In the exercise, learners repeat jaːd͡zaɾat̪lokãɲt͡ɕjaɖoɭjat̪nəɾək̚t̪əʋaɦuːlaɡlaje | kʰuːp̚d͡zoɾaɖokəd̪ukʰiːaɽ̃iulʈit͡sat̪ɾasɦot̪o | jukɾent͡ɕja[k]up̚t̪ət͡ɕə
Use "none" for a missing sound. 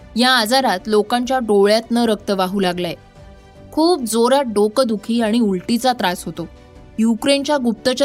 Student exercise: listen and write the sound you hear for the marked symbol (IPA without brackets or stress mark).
ɡ